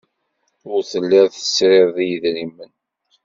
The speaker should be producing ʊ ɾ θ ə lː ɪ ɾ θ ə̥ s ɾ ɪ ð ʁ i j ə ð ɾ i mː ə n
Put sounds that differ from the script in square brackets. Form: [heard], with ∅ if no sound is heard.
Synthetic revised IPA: ʊ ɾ θ ə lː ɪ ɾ θ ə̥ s ɾ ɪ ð [ð] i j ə ð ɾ i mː ə n